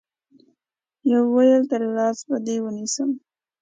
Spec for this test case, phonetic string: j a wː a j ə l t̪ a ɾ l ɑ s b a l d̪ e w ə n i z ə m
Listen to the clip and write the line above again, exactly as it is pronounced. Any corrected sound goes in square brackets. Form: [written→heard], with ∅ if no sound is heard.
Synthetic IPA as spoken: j a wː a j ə l t̪ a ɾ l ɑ s b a [l→∅] d̪ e w ə n i [z→s] ə m